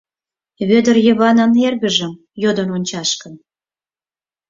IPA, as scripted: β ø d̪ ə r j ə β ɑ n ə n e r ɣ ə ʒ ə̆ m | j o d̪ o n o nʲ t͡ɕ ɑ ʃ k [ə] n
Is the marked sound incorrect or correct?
correct